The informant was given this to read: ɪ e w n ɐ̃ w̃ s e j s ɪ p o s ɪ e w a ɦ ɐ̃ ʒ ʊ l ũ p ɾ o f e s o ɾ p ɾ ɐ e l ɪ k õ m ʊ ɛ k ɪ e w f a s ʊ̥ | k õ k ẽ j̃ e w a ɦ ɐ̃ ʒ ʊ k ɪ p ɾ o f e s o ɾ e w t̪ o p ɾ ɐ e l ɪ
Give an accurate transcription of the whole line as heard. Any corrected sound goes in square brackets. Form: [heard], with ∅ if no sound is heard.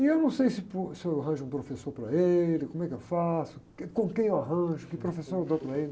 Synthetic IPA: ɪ e w n ɐ̃ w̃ s e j s ɪ p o s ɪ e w a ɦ ɐ̃ ʒ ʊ [∅] ũ p ɾ o f e s o ɾ p ɾ ɐ e l ɪ k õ m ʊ ɛ k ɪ e w f a s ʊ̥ | k õ k ẽ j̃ e w a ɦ ɐ̃ ʒ ʊ k ɪ p ɾ o f e s o ɾ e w [d̪] o p ɾ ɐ e l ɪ